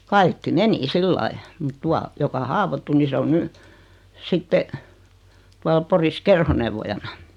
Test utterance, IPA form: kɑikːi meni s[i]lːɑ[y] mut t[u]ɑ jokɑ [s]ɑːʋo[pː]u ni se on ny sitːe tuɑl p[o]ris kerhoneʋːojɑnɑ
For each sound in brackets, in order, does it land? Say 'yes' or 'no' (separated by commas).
yes, no, yes, no, no, yes